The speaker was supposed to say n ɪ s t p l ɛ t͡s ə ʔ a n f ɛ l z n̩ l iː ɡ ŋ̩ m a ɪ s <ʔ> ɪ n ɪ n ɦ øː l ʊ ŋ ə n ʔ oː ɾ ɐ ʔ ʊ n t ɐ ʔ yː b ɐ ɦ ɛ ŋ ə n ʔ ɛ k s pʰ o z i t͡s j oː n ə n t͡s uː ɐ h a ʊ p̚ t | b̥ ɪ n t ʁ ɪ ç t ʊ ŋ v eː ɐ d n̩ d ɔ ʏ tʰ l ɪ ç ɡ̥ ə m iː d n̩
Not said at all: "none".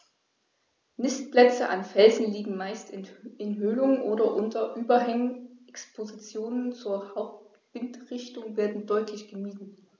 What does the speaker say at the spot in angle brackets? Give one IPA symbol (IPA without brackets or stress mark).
t